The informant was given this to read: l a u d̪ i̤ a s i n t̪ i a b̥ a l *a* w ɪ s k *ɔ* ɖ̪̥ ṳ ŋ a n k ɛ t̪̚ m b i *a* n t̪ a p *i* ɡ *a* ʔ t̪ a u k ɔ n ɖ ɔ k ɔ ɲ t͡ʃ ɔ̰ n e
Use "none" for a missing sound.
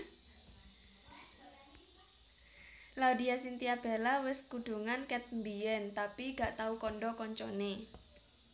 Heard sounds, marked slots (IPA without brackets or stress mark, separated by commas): a, u, ɛ, i, a